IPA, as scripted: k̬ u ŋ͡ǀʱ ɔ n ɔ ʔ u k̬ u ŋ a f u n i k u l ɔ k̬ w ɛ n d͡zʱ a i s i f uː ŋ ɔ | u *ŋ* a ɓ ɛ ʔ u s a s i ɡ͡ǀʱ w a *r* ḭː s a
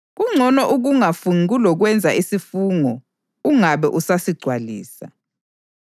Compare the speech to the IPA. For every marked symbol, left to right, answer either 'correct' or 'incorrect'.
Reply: correct, incorrect: l

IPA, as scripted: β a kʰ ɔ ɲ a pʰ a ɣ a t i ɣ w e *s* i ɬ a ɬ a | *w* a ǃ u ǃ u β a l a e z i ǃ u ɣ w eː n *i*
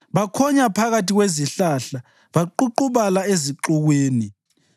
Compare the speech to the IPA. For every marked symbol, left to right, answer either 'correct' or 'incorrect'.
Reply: incorrect: z, incorrect: β, correct

